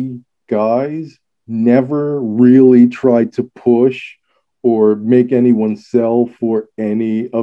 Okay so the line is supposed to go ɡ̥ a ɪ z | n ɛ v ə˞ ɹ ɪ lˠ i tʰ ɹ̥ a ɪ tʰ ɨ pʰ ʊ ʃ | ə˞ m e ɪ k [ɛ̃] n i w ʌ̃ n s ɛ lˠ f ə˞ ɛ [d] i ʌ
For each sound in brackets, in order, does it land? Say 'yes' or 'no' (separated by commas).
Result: no, no